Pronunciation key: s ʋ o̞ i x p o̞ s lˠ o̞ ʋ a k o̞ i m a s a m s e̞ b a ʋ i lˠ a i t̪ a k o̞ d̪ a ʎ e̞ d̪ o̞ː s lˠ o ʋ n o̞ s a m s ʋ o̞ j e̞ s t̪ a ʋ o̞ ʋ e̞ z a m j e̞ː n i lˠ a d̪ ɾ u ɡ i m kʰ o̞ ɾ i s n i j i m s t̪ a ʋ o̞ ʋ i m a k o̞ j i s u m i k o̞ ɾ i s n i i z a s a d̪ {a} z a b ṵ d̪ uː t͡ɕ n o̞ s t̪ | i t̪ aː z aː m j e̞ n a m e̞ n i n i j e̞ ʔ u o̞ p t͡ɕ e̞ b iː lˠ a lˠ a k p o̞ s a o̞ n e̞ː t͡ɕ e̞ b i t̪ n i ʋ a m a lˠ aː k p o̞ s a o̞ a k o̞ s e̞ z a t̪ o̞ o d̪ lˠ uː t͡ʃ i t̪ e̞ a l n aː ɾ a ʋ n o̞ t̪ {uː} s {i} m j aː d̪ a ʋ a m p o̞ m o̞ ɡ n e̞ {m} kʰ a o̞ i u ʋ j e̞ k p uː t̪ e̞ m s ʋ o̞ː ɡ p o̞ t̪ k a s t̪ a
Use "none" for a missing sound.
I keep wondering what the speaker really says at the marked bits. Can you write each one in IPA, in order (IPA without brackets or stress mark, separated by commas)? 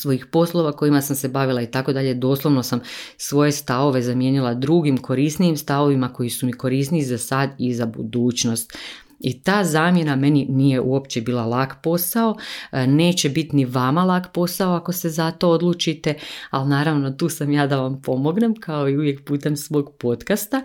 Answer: i, uː, a, m